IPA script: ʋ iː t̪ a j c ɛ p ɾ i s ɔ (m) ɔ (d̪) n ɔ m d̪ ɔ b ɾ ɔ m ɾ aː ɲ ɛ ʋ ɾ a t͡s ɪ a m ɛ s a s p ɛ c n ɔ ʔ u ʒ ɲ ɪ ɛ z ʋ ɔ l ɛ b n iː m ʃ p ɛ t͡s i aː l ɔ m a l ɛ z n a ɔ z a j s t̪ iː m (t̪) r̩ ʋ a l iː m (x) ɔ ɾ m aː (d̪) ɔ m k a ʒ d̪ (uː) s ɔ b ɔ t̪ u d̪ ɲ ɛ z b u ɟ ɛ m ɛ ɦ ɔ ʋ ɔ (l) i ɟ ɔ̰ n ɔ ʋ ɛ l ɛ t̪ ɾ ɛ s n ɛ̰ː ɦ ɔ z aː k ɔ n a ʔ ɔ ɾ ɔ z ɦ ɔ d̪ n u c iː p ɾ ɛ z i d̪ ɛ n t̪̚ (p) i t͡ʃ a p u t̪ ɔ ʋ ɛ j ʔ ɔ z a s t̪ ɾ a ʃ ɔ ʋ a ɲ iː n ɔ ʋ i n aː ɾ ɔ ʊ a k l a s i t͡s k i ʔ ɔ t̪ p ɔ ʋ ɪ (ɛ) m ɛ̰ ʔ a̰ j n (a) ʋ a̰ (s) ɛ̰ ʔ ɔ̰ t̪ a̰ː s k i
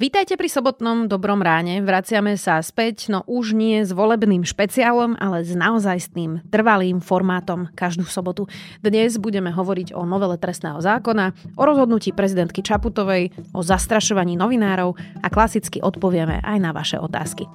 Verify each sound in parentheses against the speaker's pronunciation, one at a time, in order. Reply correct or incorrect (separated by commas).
incorrect, incorrect, correct, incorrect, incorrect, correct, incorrect, incorrect, correct, correct, incorrect